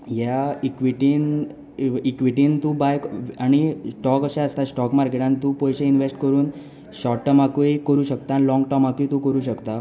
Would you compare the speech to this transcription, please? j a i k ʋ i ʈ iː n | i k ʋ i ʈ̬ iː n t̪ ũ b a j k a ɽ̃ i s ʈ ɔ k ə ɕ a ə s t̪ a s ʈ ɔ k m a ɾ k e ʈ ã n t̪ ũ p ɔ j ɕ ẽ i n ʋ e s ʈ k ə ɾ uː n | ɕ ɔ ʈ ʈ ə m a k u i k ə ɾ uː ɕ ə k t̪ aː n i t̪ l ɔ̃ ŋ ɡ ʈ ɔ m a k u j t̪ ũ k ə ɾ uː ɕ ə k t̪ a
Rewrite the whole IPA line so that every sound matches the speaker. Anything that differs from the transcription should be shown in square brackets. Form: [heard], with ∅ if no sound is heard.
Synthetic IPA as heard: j a i k ʋ i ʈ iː n | i k ʋ i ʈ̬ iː n t̪ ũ b a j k a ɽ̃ i s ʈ ɔ k ə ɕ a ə s t̪ a s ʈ ɔ k m a ɾ k e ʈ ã n t̪ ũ p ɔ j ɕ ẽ i n ʋ e s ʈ k ə ɾ uː n | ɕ ɔ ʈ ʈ ə m a k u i k ə ɾ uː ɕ ə k t̪ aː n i [∅] l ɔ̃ ŋ ɡ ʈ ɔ m a k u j t̪ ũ k ə ɾ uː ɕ ə k t̪ a